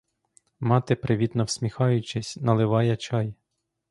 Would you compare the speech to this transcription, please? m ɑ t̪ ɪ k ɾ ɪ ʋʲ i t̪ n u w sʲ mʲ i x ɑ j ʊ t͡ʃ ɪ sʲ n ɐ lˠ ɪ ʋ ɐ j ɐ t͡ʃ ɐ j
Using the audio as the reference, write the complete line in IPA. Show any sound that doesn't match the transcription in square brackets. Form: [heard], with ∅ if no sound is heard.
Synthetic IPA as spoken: m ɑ t̪ ɪ [p] ɾ ɪ ʋʲ i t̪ n [ɔ] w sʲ mʲ i x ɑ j ʊ t͡ʃ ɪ sʲ n ɐ lˠ ɪ ʋ [ɑ] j ɐ t͡ʃ [ɑ] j